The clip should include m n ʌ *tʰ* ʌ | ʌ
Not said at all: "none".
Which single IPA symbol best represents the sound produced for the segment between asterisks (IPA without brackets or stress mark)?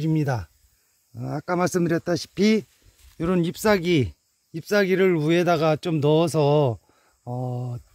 sʰ